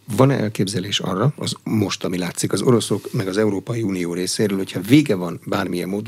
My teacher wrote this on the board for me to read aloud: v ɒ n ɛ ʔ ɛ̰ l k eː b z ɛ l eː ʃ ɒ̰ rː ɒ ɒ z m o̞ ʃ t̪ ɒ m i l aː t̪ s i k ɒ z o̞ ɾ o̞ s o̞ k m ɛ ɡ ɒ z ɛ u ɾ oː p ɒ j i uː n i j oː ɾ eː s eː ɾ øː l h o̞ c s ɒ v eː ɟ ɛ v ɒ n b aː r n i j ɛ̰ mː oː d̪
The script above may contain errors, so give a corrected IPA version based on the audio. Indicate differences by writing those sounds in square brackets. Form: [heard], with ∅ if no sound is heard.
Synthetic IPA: v ɒ n ɛ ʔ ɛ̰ l k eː b z ɛ l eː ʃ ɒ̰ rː ɒ ɒ z m o̞ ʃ t̪ ɒ m i l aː t̪ s i k ɒ z o̞ ɾ o̞ s o̞ k m ɛ ɡ ɒ z ɛ u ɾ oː p ɒ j i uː n i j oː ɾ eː s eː ɾ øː l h o̞ c [h] ɒ v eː [ɡ] ɛ v ɒ n b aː r [m] i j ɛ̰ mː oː d̪